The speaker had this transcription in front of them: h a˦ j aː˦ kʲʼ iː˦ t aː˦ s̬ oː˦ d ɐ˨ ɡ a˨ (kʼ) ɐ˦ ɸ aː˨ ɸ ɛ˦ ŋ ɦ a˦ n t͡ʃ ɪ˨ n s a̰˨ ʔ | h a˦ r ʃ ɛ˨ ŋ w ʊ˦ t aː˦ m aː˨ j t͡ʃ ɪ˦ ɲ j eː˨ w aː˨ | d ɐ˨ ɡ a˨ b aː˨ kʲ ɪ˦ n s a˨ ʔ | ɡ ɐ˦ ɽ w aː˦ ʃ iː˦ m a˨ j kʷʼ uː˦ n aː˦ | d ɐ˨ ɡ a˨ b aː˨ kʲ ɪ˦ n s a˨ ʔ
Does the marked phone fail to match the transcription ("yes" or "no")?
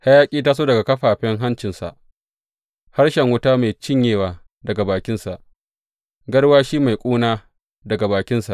yes